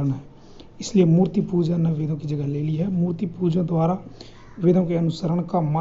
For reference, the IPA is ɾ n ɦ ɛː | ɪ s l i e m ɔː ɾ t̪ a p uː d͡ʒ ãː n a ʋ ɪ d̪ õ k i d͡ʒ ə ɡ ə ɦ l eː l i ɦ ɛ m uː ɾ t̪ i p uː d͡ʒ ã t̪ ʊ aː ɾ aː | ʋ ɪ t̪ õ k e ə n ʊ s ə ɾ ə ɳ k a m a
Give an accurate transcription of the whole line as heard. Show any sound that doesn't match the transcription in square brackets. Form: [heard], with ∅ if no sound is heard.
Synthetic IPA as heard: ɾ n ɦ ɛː | ɪ s l i e m [uː] ɾ t̪ [i] p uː d͡ʒ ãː n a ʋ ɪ d̪ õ k i d͡ʒ ə ɡ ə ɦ l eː l i ɦ ɛ m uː ɾ t̪ i p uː d͡ʒ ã [d̪] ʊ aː ɾ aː | ʋ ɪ [d̪] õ k e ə n ʊ s ə ɾ ə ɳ k a m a